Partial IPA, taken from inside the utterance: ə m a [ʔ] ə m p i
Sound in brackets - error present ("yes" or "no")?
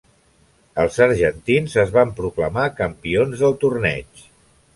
yes